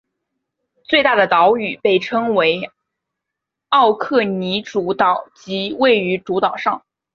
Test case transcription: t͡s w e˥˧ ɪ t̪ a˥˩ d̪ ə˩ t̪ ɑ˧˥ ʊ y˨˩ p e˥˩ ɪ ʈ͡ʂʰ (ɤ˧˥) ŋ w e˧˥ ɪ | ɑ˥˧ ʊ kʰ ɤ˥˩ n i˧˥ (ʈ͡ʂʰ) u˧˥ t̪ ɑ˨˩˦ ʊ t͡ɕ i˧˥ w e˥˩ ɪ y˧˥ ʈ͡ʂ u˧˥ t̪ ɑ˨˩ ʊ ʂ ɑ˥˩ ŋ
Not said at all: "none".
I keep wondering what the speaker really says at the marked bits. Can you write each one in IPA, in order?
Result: ɤ˥, ʈ͡ʂ

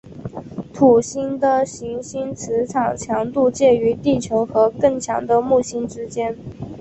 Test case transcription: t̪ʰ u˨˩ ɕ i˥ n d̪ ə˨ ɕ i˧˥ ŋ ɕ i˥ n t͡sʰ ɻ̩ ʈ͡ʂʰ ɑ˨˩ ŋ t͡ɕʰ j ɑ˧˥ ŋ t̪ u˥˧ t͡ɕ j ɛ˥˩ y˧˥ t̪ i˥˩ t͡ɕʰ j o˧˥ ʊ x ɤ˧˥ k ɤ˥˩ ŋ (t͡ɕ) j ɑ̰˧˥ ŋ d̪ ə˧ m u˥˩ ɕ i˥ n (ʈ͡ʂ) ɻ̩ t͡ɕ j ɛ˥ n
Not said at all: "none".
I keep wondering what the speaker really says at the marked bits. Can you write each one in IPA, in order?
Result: t͡ɕʰ, ʈ͡ʂ

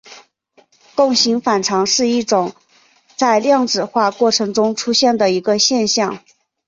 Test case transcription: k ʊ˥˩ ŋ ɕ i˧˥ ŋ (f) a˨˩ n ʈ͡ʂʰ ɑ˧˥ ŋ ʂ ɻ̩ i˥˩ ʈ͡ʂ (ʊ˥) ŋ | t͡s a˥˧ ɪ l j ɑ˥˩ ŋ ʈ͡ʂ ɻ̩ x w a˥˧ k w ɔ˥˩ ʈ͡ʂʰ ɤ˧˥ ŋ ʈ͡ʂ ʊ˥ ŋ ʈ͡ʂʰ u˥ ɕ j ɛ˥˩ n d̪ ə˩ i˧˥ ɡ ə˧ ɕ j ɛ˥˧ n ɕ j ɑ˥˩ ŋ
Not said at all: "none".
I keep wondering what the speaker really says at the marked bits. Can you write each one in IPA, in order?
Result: f, ʊ˨˩˦

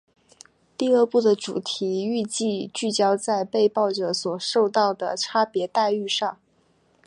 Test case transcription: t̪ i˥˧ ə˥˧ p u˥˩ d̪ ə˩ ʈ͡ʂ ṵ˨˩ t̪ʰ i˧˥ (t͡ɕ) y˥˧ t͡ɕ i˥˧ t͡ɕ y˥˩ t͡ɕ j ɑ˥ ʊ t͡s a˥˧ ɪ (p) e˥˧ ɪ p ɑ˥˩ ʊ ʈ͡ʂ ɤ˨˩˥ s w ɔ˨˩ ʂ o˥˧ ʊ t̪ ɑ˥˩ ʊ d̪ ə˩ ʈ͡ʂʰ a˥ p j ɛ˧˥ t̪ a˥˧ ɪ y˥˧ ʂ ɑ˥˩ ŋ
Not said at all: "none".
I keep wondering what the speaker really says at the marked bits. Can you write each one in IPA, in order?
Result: none, p

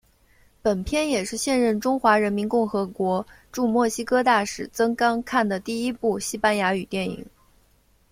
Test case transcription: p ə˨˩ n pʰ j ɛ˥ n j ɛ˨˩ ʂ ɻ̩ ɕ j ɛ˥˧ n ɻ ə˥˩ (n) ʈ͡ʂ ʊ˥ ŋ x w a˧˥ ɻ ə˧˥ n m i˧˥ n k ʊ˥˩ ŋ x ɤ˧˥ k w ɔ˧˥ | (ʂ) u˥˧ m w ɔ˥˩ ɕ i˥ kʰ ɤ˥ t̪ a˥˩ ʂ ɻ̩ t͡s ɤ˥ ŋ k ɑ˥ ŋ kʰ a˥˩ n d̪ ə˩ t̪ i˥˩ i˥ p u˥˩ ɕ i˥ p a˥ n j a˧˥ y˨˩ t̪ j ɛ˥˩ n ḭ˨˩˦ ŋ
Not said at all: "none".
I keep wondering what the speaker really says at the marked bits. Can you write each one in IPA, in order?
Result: n, ʈ͡ʂ

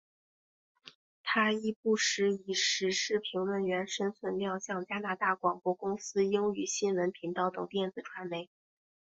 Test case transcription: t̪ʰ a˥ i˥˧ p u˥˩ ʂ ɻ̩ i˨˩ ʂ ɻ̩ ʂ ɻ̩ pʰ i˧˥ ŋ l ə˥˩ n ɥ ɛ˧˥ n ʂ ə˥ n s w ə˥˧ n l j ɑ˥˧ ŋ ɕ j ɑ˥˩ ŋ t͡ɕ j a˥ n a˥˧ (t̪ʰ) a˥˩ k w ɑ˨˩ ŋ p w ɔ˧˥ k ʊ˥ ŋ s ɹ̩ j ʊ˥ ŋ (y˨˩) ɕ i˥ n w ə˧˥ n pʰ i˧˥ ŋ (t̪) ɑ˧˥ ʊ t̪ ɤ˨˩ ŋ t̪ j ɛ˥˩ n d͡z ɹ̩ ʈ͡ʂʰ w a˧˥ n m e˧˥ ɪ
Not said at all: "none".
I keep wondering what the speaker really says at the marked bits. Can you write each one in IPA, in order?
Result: t̪, y˨˩, t̪

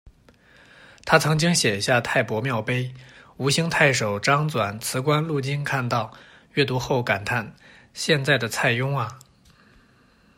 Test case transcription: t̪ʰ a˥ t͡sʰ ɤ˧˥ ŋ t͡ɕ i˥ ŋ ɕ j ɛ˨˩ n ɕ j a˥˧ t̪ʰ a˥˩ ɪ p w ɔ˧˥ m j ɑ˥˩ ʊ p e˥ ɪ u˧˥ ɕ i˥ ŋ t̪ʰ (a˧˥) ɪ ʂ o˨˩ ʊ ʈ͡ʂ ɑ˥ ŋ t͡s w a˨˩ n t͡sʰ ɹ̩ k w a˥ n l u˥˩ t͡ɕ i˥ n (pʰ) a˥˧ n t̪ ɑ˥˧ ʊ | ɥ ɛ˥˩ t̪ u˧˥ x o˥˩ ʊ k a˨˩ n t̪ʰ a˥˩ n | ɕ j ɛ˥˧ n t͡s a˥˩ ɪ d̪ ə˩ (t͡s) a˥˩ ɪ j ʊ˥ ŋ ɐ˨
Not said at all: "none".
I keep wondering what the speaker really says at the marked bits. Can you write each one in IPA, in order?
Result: a˥˩, kʰ, t͡sʰ

